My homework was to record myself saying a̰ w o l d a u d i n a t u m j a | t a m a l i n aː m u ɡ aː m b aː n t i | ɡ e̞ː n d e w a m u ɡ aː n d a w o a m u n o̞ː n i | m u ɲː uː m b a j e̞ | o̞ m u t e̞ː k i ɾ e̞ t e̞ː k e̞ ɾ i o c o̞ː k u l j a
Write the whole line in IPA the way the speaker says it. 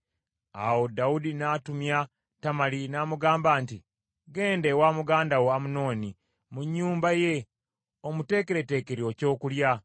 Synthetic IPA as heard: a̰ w o d a u d i n a t u m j a | t a m a l i n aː m u ɡ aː m b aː n t i | ɡ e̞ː n d e w a m u ɡ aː n d a w o a m u n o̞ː n i | m u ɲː uː m b a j e̞ | o̞ m u t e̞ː k e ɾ e̞ t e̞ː k e̞ ɾ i o c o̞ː k u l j a